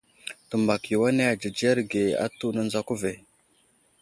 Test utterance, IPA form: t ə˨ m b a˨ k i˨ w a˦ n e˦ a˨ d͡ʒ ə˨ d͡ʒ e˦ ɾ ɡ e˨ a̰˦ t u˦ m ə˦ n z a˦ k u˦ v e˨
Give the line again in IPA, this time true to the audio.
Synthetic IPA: t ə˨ m b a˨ k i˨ w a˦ n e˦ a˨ d͡ʒ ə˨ d͡ʒ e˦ ɾ ɡ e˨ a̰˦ t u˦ n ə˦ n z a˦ k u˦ v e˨